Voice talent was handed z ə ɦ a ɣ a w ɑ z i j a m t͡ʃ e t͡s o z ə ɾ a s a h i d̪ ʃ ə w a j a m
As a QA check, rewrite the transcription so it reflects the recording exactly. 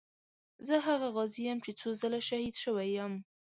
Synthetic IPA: z ə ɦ a ɣ a ɣ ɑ z i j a m t͡ʃ e t͡s o z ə l a ʃ a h i d̪ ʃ ə w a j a m